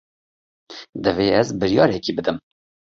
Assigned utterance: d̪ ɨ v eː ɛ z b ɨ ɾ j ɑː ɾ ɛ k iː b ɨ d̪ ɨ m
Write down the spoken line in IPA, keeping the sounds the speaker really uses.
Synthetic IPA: d̪ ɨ v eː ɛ z b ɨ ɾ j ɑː ɾ ɛ k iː b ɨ d̪ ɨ m